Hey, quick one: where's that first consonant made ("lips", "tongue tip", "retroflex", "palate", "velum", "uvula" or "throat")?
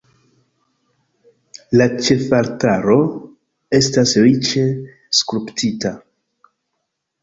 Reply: tongue tip